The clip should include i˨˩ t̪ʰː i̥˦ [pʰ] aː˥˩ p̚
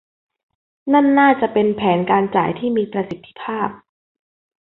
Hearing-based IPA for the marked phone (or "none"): pʰ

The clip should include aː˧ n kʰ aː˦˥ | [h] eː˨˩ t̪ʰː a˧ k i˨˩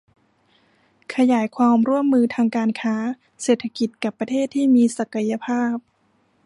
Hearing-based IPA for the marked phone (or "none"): s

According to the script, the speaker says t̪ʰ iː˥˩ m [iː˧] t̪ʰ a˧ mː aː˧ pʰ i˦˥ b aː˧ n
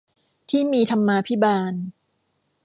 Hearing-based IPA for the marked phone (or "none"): iː˧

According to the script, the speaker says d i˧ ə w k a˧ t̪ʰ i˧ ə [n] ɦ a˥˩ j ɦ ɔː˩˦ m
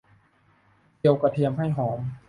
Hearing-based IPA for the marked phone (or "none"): m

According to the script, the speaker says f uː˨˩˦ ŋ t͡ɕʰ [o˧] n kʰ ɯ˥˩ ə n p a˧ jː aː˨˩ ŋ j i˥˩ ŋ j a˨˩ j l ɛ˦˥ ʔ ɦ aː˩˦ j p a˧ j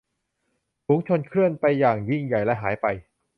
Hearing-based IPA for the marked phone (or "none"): o˧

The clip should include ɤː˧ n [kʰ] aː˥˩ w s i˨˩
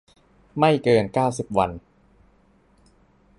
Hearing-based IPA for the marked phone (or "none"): k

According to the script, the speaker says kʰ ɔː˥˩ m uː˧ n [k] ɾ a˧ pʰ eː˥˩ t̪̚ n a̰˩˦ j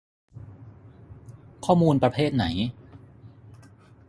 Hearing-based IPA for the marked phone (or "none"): p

